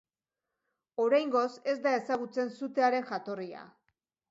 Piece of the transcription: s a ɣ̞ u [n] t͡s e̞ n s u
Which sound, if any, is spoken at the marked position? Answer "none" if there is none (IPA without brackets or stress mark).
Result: none